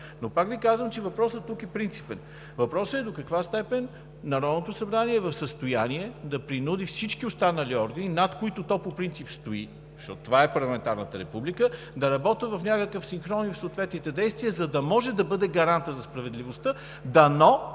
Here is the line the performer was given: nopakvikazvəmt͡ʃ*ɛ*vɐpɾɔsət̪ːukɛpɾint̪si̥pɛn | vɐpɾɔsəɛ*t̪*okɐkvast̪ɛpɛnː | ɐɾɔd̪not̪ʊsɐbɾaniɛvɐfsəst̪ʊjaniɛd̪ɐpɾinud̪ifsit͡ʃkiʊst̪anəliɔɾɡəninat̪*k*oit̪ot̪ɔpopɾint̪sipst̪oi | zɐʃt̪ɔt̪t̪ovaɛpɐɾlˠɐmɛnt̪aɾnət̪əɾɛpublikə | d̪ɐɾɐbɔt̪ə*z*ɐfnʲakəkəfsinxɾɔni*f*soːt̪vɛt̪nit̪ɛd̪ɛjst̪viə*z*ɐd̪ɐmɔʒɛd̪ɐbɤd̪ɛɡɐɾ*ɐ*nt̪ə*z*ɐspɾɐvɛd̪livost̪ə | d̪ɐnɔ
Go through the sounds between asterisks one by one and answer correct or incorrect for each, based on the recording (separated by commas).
correct, incorrect, correct, incorrect, correct, correct, incorrect, correct